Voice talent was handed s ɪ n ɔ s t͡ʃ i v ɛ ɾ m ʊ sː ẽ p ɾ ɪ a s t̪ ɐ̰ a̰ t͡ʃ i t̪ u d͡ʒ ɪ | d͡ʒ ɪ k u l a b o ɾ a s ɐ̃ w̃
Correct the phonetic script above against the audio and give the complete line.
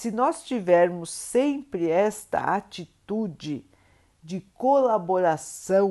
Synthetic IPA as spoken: s ɪ n ɔ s t͡ʃ i v ɛ ɾ m ʊ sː ẽ p ɾ ɪ ɛ s t̪ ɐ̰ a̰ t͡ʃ i t̪ u d͡ʒ ɪ | d͡ʒ ɪ k o l a b o ɾ a s ɐ̃ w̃